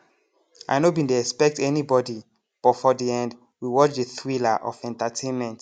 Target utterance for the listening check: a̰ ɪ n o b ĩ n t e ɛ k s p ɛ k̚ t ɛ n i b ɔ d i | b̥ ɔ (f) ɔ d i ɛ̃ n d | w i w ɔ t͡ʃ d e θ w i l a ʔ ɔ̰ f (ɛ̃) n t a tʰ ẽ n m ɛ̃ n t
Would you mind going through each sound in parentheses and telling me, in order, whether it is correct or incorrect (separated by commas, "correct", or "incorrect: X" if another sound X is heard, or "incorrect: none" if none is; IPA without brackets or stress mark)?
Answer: correct, correct